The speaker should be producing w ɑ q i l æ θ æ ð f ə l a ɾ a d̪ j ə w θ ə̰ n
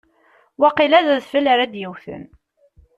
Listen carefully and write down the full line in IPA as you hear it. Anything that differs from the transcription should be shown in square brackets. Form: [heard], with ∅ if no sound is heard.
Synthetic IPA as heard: w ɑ q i l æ [ð] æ ð f ə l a ɾ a d̪ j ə w θ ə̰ n